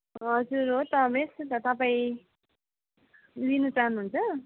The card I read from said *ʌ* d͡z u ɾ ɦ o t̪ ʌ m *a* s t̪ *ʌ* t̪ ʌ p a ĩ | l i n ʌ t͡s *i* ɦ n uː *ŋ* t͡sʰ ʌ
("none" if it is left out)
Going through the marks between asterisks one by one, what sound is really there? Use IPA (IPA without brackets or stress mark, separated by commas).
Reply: ʌ, e, ʌ, a, n